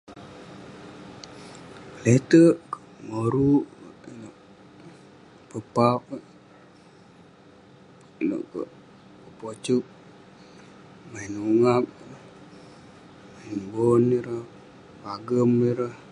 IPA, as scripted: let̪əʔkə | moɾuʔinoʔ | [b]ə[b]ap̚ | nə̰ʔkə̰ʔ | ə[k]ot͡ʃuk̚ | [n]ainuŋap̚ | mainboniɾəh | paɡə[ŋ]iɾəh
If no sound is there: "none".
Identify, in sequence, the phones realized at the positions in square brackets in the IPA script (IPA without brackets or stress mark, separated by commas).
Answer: p, p, p, m, m